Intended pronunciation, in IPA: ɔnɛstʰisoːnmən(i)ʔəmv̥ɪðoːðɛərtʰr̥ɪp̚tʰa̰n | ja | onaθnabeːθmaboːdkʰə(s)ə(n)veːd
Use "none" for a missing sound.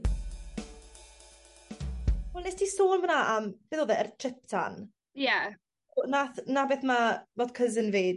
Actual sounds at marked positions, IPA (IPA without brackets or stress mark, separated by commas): a, z, n